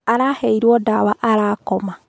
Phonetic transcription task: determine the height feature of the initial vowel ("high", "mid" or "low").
low